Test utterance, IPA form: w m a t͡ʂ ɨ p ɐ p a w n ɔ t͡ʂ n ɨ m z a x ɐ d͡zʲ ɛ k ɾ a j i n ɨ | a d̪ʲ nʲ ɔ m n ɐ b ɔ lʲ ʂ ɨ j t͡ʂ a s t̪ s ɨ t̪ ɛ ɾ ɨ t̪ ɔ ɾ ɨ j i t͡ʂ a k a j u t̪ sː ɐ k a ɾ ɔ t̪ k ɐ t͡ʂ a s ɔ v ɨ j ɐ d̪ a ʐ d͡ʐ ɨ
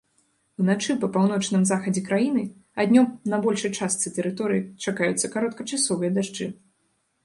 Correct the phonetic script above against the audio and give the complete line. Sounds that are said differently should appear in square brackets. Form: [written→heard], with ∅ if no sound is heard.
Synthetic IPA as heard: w [m→n] a t͡ʂ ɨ p ɐ p a w n ɔ t͡ʂ n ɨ m z a x ɐ d͡zʲ ɛ k ɾ a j i n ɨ | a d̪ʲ nʲ ɔ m n ɐ b ɔ lʲ ʂ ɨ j t͡ʂ a s t̪ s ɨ t̪ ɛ ɾ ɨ t̪ ɔ ɾ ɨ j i t͡ʂ a k a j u t̪ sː ɐ k a ɾ ɔ t̪ k ɐ t͡ʂ a s ɔ v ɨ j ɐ d̪ a ʐ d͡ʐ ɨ